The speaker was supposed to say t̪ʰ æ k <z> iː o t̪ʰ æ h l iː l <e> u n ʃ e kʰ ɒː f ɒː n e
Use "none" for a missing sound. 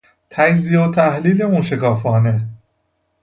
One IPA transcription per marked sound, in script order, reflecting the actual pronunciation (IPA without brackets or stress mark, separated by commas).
z, e